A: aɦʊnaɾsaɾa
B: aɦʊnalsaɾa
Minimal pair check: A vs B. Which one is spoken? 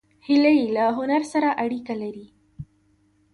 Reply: A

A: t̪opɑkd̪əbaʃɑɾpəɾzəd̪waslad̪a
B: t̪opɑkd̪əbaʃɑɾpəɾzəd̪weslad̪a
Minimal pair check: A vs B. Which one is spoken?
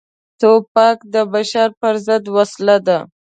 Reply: A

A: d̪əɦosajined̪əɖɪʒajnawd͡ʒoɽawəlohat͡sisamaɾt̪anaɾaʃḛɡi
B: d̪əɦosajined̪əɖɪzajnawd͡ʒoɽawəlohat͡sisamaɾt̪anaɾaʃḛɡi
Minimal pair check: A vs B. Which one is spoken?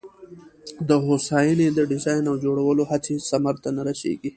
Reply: B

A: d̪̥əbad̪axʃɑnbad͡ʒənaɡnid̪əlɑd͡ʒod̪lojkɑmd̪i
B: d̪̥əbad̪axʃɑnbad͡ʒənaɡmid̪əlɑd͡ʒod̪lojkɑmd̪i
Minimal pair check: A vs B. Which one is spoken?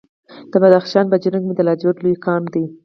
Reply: B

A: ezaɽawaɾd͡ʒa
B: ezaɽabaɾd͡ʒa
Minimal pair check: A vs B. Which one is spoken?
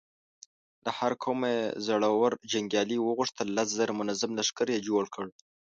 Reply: A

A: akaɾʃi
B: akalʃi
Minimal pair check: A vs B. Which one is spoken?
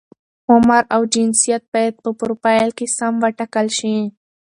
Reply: B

